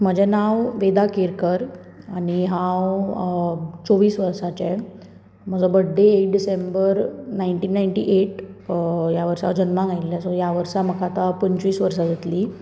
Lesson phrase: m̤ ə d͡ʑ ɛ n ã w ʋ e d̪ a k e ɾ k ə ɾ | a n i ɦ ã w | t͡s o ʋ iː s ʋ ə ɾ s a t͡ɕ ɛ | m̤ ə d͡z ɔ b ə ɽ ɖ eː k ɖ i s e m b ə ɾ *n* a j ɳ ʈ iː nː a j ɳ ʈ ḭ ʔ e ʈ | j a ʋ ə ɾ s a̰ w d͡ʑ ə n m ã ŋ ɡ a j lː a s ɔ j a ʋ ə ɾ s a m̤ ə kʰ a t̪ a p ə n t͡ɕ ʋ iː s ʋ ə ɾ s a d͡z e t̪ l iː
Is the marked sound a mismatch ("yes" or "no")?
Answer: no